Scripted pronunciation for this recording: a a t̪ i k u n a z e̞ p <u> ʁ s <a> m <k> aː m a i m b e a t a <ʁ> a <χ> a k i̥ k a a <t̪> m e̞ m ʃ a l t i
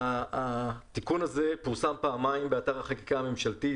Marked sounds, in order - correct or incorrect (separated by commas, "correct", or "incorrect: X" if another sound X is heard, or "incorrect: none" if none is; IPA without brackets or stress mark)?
correct, correct, incorrect: p, correct, correct, incorrect: none